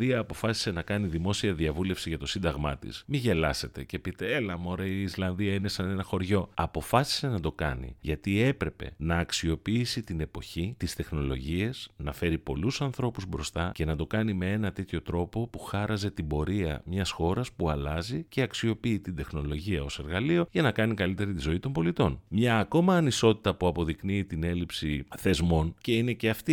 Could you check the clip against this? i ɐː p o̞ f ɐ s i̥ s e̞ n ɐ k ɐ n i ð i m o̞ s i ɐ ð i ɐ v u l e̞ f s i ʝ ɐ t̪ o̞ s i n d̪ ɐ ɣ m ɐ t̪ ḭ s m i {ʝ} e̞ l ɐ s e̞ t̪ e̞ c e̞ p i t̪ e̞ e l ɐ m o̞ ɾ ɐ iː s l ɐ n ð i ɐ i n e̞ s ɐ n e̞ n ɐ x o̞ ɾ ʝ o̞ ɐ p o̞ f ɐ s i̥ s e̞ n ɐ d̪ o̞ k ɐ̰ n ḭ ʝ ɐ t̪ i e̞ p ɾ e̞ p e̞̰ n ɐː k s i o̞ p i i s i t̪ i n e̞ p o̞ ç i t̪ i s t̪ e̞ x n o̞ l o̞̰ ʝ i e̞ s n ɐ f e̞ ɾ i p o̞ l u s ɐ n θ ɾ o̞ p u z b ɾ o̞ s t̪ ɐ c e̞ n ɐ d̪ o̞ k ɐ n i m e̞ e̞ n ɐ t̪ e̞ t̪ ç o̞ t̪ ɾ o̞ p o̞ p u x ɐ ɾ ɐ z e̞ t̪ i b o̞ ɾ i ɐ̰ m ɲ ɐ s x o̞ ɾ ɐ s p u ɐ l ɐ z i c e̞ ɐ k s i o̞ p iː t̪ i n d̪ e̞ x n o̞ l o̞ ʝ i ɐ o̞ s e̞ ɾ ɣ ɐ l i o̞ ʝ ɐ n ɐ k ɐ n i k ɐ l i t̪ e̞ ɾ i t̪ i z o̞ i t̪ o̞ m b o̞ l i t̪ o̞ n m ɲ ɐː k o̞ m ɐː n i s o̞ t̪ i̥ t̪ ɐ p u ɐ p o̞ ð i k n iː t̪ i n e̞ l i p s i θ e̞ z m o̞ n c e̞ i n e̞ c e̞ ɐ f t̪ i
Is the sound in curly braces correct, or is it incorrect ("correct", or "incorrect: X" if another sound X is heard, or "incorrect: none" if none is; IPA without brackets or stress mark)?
correct